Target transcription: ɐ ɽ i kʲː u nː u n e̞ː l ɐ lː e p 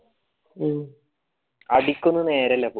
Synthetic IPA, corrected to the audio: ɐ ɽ i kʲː u nː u n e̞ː ɾ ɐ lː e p